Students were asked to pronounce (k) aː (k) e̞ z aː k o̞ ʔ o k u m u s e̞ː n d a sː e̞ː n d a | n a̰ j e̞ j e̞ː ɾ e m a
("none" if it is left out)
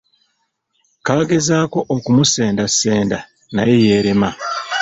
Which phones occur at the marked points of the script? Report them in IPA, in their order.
k, ɡ

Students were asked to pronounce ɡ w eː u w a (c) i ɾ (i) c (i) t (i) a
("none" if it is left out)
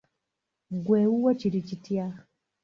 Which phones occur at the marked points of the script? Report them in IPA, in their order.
c, i, i, j

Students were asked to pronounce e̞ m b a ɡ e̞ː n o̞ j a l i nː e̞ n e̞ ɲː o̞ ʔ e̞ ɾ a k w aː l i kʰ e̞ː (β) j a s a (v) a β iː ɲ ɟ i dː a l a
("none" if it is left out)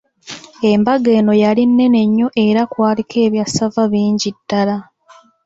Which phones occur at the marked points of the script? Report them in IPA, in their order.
β, v

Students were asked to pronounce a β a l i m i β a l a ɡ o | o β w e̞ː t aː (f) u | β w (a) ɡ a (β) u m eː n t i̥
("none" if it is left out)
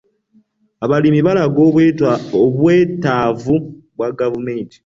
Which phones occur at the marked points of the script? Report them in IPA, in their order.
v, a, v

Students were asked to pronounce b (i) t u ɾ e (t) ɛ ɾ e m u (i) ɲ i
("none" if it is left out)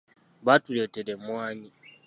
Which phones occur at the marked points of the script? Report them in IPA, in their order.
a, t, a

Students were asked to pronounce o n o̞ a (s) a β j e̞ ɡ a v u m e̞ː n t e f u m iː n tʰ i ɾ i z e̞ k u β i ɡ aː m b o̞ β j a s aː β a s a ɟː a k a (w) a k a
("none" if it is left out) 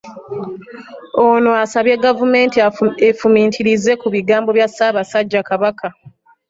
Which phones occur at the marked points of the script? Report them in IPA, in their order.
s, β

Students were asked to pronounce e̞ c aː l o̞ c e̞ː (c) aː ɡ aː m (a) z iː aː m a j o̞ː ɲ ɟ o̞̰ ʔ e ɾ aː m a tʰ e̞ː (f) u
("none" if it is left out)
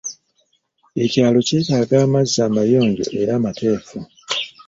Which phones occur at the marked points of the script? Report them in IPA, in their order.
t, a, f

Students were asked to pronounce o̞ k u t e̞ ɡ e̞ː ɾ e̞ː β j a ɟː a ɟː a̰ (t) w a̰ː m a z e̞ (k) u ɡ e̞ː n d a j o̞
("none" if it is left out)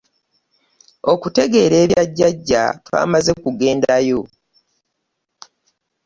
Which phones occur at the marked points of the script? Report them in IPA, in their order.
t, k

